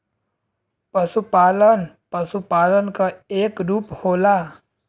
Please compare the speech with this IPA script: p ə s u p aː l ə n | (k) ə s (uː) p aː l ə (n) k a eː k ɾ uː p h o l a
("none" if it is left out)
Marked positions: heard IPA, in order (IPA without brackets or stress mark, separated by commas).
p, u, n